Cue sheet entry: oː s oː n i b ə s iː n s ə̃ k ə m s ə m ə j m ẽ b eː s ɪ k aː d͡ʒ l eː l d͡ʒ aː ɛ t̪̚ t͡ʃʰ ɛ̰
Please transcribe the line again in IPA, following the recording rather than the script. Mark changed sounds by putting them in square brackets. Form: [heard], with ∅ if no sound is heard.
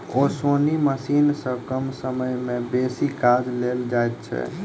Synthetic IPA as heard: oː s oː n i [m] ə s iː n s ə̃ k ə m s ə m ə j m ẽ b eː s [i] k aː d͡ʒ l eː l d͡ʒ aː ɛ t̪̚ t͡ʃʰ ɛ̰